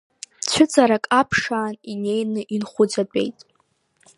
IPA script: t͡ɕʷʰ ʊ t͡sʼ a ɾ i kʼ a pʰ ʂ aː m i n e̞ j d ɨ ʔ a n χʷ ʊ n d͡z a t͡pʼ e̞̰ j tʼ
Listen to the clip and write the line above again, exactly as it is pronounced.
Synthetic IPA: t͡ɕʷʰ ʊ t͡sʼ a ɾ a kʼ a pʰ ʂ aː n i n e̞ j n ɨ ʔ i n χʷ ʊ d͡z a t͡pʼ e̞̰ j tʼ